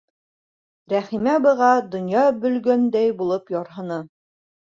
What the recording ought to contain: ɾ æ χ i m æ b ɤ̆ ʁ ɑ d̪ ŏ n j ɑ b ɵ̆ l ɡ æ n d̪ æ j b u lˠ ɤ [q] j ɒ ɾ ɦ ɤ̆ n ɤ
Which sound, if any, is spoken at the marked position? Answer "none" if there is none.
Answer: p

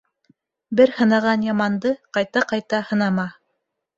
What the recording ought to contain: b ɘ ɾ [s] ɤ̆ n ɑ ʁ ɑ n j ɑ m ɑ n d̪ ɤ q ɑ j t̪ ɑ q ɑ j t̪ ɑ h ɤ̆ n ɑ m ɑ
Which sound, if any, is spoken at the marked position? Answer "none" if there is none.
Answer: h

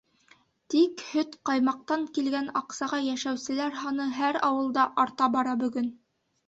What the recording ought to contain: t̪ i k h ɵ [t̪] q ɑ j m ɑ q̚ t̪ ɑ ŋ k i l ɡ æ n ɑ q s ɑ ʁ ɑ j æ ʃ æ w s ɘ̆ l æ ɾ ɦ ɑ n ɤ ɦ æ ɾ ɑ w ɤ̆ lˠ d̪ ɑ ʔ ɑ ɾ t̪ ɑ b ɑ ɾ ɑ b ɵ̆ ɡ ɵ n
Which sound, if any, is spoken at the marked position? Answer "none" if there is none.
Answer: t̪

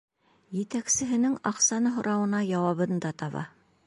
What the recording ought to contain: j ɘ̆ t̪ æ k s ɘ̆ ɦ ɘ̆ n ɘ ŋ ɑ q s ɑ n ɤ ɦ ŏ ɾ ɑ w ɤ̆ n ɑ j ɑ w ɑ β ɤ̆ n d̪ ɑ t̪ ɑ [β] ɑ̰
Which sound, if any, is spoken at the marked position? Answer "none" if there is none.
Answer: β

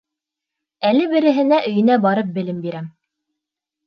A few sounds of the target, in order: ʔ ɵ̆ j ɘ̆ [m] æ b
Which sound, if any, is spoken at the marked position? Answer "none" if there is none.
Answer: n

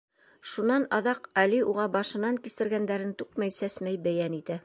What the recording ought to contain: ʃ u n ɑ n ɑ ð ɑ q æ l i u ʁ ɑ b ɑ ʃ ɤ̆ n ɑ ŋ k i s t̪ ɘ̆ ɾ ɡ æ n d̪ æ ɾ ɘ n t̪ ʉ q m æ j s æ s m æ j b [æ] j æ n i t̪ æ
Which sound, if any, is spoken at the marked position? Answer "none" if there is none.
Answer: æ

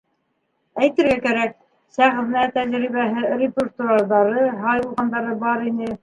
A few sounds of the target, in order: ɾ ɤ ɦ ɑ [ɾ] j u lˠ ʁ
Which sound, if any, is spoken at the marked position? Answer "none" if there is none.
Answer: none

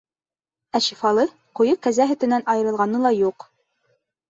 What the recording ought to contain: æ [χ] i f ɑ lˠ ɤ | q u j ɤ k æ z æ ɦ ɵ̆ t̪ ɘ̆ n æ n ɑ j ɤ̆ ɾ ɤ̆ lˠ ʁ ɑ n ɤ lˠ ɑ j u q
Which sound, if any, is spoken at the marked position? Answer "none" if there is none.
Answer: ʃ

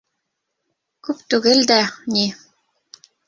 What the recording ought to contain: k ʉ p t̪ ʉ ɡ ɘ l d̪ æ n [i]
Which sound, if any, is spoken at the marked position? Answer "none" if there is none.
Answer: i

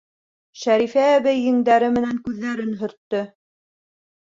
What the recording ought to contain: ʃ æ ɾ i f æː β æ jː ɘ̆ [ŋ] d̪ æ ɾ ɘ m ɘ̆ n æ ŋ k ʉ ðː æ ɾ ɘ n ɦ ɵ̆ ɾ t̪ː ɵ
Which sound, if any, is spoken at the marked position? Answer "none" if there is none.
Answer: ŋ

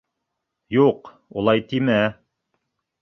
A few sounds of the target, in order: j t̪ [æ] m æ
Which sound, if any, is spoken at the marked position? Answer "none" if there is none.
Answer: i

